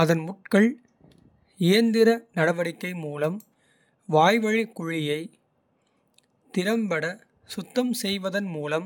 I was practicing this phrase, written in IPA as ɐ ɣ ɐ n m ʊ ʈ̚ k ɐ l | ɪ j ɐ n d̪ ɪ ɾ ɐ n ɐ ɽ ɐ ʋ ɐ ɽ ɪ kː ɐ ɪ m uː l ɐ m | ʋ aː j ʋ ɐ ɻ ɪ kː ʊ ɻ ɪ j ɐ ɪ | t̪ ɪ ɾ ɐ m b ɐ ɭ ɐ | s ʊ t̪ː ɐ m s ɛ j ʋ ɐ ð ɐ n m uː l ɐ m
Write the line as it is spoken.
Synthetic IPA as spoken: ɐ ð ɐ n m ʊ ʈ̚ k ɐ ɭ | ɪ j ɐ n d̪ ɪ ɾ ɐ n ɐ ɽ ɐ ʋ ɐ ɽ ɪ kː ɐ ɪ m uː l ɐ m | ʋ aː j ʋ ɐ ɻ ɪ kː ʊ ɻ ɪ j ɐ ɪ | t̪ ɪ ɾ ɐ m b ɐ ɽ ɐ | s ʊ t̪ː ɐ m s ɛ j ʋ ɐ ð ɐ n m uː l ɐ m